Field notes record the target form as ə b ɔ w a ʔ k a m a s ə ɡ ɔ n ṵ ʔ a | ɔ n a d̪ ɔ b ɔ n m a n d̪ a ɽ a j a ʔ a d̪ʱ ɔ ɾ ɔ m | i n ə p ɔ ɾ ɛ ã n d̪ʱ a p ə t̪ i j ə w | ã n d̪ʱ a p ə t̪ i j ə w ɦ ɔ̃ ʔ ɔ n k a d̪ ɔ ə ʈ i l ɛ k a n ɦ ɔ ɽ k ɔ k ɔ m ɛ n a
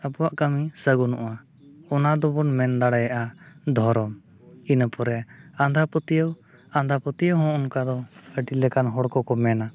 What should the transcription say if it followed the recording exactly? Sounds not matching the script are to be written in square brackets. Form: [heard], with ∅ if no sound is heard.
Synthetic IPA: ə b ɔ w a ʔ k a m [i] s ə ɡ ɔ n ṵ ʔ a | ɔ n a d̪ ɔ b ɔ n m [ɛ] n d̪ a ɽ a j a ʔ a d̪ʱ ɔ ɾ ɔ m | i n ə p ɔ ɾ ɛ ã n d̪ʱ a p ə t̪ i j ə w | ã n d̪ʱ a p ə t̪ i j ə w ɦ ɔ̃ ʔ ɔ n k a d̪ ɔ ə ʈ i l ɛ k a n ɦ ɔ ɽ k ɔ k ɔ m ɛ n a

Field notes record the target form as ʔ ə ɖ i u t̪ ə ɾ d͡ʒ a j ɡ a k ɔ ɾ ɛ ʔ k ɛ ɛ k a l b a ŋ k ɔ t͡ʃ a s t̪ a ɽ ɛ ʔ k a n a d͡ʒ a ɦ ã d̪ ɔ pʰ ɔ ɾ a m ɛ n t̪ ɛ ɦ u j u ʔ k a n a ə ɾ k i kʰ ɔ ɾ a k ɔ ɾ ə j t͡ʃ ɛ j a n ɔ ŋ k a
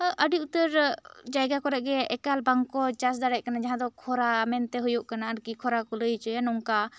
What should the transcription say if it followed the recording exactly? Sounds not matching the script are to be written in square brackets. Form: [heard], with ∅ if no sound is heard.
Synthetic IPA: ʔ ə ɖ i u t̪ ə ɾ d͡ʒ a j ɡ a k ɔ ɾ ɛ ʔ [ɡ] ɛ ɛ k a l b a ŋ k ɔ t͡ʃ a s [d̪] a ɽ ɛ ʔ k a n a d͡ʒ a ɦ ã d̪ ɔ [kʰ] ɔ ɾ a m ɛ n t̪ ɛ ɦ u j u ʔ k a n a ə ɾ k i kʰ ɔ ɾ a k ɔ [l] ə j t͡ʃ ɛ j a n ɔ ŋ k a

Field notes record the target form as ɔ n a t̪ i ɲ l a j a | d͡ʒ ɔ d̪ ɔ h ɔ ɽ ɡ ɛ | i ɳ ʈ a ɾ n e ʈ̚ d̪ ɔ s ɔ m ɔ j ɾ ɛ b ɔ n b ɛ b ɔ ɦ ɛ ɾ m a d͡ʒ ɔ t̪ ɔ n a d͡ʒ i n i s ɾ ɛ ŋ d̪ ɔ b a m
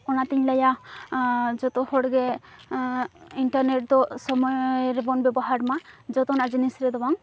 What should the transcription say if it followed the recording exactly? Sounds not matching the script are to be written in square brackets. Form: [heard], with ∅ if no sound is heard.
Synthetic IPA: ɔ n a t̪ i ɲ l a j a | d͡ʒ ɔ [t̪] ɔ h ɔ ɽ ɡ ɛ | i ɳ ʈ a ɾ n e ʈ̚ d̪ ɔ s ɔ m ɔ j ɾ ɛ b ɔ n b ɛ b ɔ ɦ [a] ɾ m a d͡ʒ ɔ t̪ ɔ n a d͡ʒ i n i s ɾ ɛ [∅] d̪ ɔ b a [ŋ]

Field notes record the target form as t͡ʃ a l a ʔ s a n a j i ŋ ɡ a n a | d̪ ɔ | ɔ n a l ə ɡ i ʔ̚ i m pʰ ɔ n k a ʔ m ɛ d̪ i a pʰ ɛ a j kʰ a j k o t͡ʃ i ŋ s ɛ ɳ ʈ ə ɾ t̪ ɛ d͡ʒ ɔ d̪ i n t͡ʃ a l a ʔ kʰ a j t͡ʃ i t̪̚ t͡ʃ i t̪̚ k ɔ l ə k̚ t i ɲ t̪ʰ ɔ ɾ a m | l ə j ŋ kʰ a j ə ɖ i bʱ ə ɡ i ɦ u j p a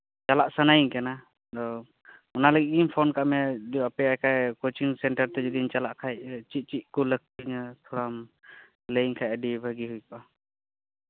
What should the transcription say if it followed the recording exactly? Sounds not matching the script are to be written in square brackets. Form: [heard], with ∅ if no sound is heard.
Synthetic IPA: t͡ʃ a l a ʔ s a n a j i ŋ [k] a n a | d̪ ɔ | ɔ n a l ə ɡ i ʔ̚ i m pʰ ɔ n k a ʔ m ɛ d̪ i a [p] ɛ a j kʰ a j k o t͡ʃ i ŋ s ɛ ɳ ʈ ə ɾ t̪ ɛ d͡ʒ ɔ d̪ i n t͡ʃ a l a ʔ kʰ a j t͡ʃ i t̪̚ t͡ʃ i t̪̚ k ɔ l ə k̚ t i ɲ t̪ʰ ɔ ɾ a m | l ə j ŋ kʰ a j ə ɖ i bʱ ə ɡ i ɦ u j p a

